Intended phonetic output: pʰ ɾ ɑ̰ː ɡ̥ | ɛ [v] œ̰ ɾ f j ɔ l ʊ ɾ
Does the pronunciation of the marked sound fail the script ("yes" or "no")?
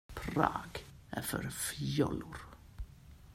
yes